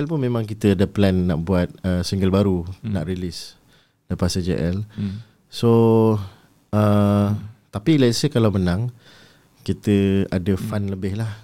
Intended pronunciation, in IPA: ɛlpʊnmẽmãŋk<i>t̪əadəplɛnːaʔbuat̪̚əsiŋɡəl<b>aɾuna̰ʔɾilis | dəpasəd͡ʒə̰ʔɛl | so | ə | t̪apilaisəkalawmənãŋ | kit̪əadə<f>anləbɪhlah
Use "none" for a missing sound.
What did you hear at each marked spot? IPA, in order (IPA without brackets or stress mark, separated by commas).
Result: i, b, f